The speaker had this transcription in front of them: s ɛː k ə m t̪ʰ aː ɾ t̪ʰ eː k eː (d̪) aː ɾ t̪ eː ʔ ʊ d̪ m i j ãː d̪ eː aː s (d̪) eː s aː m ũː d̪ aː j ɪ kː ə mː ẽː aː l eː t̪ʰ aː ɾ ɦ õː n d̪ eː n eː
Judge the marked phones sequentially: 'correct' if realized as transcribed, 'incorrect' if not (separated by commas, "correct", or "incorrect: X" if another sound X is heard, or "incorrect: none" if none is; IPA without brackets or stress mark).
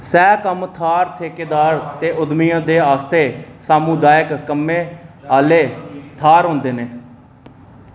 correct, incorrect: t̪